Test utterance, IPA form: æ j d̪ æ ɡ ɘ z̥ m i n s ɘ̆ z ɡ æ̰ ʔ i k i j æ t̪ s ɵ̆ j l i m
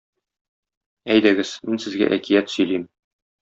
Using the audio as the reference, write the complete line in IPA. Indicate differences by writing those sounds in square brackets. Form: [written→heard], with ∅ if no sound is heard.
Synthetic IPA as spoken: æ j d̪ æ ɡ ɘ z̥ m i n s ɘ̆ z ɡ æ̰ ʔ [i→æ] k i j æ t̪ s ɵ̆ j l i m